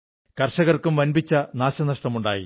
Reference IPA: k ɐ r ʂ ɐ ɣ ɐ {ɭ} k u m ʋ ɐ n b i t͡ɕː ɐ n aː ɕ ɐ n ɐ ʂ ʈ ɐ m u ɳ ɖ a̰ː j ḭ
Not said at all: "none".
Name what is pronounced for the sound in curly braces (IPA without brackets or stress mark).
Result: r